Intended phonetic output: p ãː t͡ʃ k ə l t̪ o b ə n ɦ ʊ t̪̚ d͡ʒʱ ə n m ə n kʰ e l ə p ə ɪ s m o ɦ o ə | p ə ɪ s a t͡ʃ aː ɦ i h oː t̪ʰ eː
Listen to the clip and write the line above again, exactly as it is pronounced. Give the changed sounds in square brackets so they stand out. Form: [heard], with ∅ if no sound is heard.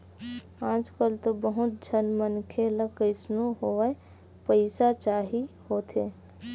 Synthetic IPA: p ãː t͡ʃ k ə l t̪ o b ə [∅] ɦ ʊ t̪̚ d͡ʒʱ ə n m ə n kʰ e l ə [k] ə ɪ s [n] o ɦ o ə | p ə ɪ s a t͡ʃ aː ɦ i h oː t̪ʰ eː